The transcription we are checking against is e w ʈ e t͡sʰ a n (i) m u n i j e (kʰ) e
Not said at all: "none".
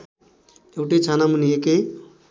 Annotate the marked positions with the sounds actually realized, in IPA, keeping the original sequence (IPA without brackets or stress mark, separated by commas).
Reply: a, k